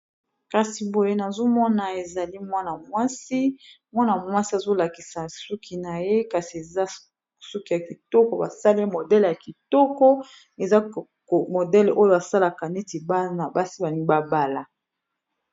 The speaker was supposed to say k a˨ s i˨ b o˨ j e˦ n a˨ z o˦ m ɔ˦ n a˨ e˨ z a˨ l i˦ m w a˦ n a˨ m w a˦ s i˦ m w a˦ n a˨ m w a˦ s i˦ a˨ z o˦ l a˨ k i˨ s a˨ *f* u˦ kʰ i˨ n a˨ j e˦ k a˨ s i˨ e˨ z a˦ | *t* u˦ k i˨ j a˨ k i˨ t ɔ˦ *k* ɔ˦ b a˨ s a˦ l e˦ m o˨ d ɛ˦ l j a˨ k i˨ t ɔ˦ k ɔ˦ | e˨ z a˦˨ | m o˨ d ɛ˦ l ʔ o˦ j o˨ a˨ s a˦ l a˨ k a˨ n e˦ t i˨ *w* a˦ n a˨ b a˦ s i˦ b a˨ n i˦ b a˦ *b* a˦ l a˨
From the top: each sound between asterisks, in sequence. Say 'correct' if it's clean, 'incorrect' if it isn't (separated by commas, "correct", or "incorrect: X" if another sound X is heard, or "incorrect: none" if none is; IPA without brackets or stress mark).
incorrect: s, incorrect: s, correct, incorrect: b, correct